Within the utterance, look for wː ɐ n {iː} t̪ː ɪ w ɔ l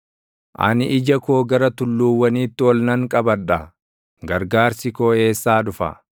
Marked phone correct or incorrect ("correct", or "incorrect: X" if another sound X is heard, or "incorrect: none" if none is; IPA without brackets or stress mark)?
correct